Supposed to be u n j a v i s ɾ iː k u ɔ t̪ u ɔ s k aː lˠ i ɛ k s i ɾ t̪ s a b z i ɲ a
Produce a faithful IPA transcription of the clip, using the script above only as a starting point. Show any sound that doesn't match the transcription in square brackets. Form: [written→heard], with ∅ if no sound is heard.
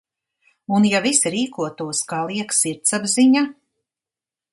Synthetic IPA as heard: u n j a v i s ɾ iː k u ɔ t̪ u ɔ s k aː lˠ i ɛ k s i ɾ t̪ s a b z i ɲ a

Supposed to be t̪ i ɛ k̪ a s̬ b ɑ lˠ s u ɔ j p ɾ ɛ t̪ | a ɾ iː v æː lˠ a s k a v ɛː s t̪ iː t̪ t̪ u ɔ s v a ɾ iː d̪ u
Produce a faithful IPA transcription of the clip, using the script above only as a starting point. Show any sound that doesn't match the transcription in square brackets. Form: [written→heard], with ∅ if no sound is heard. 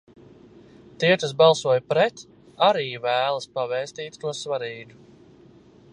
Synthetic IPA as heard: t̪ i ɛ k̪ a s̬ b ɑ lˠ s u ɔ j p ɾ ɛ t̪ | a ɾ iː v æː lˠ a s [k→p] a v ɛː s t̪ iː t̪ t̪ u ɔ s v a ɾ iː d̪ u

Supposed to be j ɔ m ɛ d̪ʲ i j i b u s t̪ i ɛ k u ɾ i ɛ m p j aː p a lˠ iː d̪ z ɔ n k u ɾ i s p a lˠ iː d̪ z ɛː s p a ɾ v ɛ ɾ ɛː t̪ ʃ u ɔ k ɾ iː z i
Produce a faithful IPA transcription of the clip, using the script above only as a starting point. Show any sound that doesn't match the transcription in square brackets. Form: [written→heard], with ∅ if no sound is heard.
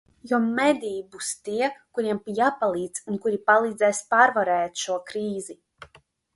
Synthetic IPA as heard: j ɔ m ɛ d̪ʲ i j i b u s t̪ i ɛ k u ɾ i ɛ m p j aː p a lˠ iː d̪ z [ɔ→u] n k u ɾ i [s→∅] p a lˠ iː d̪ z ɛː s p a ɾ v [ɛ→a] ɾ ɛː t̪ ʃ u ɔ k ɾ iː z i

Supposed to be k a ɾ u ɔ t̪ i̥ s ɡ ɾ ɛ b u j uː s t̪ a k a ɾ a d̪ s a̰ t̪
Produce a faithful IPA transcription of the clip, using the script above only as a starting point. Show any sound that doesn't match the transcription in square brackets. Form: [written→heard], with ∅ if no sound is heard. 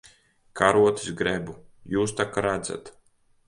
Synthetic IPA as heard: k a ɾ u ɔ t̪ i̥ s ɡ ɾ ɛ b u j uː s t̪ a k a ɾ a d̪ [s→z] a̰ t̪

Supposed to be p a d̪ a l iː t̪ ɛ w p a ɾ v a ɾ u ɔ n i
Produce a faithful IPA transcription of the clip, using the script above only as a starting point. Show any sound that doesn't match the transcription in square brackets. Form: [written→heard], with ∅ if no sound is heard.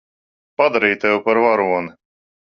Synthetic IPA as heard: p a d̪ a [l→ɾ] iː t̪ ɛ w p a ɾ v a ɾ u ɔ n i

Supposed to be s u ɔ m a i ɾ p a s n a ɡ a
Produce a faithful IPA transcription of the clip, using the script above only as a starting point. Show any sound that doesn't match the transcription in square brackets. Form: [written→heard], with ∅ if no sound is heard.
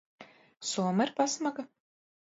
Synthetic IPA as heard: s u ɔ m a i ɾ p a s [n→m] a ɡ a

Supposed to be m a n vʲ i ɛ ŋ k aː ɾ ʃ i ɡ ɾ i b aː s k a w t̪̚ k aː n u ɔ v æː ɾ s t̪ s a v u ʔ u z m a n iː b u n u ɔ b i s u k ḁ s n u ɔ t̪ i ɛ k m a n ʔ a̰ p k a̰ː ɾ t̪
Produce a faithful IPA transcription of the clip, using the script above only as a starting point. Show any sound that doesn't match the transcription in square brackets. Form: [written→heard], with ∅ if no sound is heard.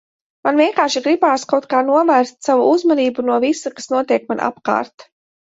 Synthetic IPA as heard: m a n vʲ i ɛ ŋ k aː ɾ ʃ i ɡ ɾ i b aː s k a w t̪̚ k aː n u ɔ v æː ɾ s t̪ s a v u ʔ u z m a n iː b u n u ɔ [b→v] i s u k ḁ s n u ɔ t̪ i ɛ k m a n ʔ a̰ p k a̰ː ɾ t̪

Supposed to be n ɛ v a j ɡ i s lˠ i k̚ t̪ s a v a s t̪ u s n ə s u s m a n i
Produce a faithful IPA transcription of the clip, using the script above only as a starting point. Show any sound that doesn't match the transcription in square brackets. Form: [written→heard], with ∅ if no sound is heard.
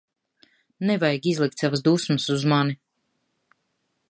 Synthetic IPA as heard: n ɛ v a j ɡ i [s→z] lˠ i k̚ t̪ s a v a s [t̪→d̪] u s [n→m] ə s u [s→z] m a n i

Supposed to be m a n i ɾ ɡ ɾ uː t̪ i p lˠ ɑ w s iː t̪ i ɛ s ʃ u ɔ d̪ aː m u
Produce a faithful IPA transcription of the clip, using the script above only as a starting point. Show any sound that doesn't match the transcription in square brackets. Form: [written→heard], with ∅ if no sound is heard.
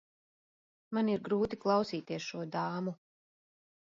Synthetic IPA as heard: m a n i ɾ ɡ ɾ uː t̪ i [p→k] lˠ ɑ w s iː t̪ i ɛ s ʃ u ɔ d̪ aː m u

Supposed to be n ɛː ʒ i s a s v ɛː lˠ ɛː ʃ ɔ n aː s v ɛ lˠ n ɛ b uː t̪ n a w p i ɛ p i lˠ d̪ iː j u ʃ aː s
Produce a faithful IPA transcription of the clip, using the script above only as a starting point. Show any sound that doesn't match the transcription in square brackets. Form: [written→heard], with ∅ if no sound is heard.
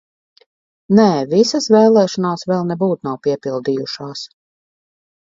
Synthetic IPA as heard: n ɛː [ʒ→v] i s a s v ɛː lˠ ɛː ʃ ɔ n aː s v ɛ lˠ n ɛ b uː t̪ n a w p i ɛ p i lˠ d̪ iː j u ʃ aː s

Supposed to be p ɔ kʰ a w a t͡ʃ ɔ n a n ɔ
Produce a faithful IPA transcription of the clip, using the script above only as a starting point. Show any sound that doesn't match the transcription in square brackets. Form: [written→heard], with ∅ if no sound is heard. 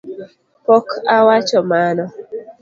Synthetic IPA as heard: p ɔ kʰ a w a t͡ʃ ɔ [n→m] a n ɔ

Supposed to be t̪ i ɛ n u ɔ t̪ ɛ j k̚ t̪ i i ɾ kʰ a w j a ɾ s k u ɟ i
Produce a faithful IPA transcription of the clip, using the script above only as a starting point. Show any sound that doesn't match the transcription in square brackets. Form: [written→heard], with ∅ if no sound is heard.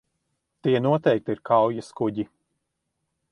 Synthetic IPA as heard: t̪ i ɛ n u ɔ t̪ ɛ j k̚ t̪ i i ɾ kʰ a w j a [ɾ→∅] s k u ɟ i

